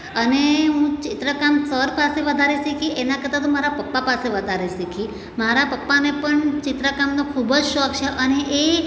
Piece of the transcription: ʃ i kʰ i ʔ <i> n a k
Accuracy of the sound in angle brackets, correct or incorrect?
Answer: incorrect